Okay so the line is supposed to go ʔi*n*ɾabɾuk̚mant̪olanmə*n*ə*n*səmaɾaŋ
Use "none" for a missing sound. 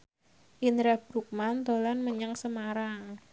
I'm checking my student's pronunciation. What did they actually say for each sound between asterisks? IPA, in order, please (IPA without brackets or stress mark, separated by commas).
n, ɲ, ŋ